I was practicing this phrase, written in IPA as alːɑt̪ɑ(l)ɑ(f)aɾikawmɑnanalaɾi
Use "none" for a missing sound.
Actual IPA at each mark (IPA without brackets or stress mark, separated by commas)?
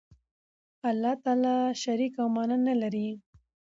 l, ʃ